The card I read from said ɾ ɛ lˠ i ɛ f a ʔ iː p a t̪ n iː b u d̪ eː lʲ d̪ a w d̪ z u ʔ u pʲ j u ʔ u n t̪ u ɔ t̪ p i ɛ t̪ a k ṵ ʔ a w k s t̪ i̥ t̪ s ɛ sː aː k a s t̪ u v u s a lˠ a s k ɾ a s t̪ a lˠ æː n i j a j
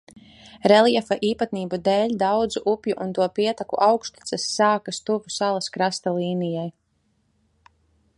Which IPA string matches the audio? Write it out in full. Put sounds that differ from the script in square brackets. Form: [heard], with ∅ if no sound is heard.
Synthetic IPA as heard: ɾ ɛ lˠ i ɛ f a ʔ iː p a t̪ n iː b u d̪ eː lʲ d̪ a w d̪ z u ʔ u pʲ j u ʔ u n t̪ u ɔ [∅] p i ɛ t̪ a k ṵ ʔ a w k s t̪ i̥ t̪ s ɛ sː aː k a s t̪ u v u s a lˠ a s k ɾ a s t̪ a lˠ [iː] n i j a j